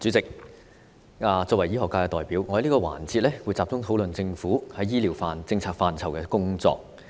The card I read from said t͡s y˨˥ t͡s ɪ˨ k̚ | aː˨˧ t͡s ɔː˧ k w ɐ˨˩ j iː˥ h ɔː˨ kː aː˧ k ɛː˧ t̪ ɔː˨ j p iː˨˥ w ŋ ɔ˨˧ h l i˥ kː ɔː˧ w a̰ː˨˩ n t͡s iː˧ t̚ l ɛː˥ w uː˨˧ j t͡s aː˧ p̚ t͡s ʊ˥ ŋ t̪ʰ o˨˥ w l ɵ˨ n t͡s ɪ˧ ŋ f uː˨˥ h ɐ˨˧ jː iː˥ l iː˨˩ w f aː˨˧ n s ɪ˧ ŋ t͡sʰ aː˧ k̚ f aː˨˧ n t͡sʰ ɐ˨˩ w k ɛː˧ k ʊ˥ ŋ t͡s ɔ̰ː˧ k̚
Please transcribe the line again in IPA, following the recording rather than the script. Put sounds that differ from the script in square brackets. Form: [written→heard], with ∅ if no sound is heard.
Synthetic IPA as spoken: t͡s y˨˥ t͡s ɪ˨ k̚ | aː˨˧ t͡s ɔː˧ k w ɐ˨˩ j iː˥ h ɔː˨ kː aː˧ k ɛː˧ t̪ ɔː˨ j p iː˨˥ w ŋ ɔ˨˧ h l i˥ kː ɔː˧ w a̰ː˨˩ n t͡s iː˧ t̚ l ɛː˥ w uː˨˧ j t͡s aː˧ p̚ t͡s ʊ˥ ŋ t̪ʰ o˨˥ w l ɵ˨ n t͡s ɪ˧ ŋ f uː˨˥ h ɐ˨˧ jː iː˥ l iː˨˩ w f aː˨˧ n [s→t͡s] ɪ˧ ŋ t͡sʰ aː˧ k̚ f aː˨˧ n t͡sʰ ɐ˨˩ w k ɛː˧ k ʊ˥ ŋ t͡s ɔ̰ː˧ k̚